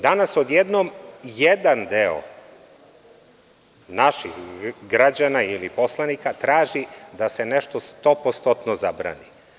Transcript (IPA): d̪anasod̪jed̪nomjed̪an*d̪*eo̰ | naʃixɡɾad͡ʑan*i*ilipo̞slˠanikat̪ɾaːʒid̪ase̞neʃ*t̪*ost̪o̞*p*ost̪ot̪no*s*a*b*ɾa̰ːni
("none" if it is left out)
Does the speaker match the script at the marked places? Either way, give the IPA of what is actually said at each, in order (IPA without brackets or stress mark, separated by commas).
d̪, a, t̪, p, z, b